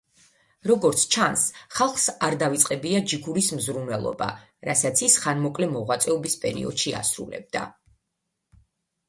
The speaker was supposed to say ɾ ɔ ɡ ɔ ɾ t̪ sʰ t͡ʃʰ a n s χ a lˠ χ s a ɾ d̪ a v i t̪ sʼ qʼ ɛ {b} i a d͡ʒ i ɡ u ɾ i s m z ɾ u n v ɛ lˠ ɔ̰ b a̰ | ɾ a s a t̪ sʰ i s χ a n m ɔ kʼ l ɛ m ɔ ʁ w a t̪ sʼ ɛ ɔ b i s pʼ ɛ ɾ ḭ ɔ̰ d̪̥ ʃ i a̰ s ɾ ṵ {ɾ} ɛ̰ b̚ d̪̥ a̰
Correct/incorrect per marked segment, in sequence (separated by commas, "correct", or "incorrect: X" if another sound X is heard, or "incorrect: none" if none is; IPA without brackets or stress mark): correct, incorrect: l